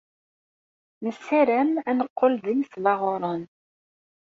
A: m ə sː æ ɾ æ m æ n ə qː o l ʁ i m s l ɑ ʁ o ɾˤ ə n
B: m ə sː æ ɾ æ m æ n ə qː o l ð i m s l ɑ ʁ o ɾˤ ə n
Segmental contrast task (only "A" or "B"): B